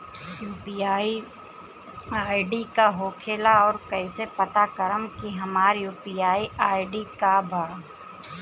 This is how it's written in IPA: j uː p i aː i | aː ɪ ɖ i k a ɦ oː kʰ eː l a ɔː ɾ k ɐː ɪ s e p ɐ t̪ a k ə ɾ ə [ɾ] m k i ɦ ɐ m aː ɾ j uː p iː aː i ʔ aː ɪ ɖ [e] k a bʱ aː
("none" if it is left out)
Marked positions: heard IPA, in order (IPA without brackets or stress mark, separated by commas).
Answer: none, i